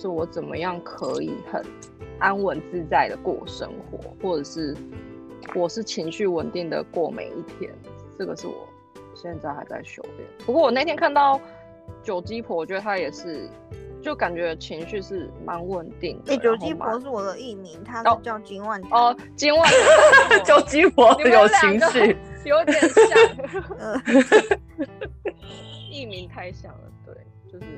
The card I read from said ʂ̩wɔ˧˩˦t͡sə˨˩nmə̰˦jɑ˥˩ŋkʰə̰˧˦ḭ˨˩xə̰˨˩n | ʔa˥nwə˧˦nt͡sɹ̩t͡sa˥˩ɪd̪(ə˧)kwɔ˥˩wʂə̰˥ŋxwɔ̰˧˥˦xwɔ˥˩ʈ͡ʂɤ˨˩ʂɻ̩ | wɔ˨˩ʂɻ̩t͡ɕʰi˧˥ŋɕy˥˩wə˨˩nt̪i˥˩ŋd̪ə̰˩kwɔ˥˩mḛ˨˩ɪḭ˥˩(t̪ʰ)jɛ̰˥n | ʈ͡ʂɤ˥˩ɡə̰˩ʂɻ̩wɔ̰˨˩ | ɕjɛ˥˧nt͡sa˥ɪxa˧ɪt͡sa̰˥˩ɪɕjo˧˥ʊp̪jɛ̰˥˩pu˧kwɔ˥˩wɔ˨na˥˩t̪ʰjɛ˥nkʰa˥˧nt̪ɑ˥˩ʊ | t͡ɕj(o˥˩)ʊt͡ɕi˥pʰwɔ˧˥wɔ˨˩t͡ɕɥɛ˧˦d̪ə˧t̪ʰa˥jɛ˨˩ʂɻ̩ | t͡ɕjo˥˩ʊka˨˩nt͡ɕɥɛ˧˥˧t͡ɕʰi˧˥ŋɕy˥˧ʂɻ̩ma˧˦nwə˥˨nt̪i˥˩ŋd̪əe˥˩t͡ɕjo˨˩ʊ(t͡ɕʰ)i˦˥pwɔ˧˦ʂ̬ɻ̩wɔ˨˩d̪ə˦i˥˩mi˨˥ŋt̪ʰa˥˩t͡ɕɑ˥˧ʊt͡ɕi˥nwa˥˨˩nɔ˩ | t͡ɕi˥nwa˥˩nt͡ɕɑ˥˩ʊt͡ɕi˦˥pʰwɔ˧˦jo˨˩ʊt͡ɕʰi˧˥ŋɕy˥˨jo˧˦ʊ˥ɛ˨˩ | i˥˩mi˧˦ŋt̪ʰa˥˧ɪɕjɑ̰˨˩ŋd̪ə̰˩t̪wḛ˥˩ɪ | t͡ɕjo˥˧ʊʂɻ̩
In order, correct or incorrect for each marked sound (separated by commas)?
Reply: incorrect, correct, incorrect, incorrect